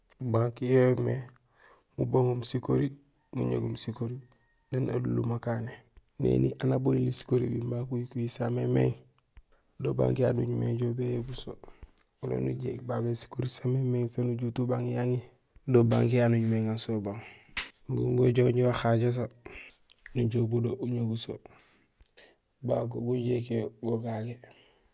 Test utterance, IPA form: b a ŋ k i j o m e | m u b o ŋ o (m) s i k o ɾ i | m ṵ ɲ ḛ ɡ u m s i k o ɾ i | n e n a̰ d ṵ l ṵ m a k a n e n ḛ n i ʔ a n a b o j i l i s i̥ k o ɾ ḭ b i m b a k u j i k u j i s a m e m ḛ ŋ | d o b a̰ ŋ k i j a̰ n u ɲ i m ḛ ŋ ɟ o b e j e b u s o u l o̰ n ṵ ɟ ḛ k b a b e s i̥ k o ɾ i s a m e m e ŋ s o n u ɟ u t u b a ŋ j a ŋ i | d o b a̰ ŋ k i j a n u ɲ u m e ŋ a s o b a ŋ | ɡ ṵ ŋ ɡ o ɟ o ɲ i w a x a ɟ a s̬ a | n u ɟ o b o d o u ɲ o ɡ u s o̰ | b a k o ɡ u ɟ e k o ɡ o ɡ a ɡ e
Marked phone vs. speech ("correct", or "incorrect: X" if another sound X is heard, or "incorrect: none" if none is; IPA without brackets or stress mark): correct